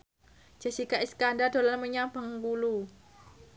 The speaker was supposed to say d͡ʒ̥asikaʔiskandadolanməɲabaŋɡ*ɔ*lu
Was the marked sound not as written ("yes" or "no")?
yes